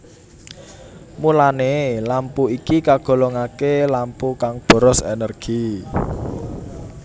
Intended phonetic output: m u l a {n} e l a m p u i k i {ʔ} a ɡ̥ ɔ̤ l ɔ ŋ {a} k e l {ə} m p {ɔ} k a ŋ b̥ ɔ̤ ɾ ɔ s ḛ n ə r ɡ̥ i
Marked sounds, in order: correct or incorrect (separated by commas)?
correct, incorrect, correct, incorrect, incorrect